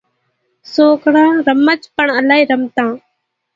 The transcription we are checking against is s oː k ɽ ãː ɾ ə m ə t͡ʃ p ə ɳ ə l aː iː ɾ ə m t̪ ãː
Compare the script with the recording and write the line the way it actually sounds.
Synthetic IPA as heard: s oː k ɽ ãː ɾ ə m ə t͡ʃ p ə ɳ ə l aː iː ɾ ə m t̪ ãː